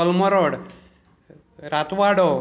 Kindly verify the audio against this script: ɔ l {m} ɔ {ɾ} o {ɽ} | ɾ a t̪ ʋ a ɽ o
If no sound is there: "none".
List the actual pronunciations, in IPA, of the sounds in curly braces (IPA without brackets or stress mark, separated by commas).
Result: m, ɾ, ɽ